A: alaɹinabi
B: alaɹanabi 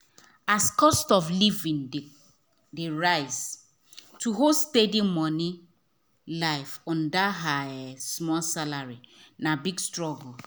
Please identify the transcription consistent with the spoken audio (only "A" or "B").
A